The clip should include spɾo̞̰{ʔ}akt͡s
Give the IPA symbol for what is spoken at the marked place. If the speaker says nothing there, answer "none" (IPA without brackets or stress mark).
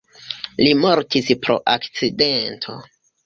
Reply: ʔ